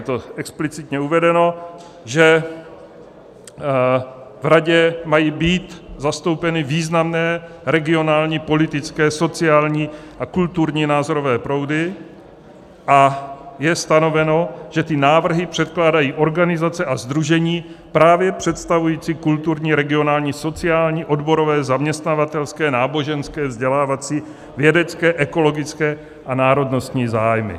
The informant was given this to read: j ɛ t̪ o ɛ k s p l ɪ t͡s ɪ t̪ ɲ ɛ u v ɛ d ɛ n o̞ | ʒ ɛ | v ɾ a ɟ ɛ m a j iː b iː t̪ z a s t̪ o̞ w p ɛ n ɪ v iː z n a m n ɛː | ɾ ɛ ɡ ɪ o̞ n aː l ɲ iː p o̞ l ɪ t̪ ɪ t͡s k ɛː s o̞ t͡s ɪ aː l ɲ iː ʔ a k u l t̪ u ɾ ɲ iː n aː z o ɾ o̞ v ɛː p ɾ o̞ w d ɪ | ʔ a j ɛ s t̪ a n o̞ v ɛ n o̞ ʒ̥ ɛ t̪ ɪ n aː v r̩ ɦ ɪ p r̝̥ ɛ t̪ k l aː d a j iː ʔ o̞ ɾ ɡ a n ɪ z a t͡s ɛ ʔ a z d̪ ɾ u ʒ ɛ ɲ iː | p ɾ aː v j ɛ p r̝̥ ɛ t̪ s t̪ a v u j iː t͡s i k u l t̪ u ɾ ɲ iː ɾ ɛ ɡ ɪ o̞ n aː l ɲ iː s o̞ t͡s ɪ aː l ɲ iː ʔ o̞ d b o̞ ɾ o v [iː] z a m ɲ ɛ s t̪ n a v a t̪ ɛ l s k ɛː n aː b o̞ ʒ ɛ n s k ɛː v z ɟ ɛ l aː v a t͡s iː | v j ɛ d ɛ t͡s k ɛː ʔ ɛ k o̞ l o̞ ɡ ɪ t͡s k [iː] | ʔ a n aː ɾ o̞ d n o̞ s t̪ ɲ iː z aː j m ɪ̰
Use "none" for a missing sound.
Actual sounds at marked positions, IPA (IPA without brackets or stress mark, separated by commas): ɛː, ɛː